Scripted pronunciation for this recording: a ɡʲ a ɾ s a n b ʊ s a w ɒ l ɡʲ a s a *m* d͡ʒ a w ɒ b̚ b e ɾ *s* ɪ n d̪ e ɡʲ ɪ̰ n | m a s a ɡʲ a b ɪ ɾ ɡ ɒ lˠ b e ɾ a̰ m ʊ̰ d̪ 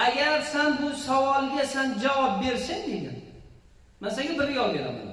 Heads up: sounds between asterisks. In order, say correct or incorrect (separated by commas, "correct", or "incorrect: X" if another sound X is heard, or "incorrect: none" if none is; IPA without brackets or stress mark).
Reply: incorrect: n, correct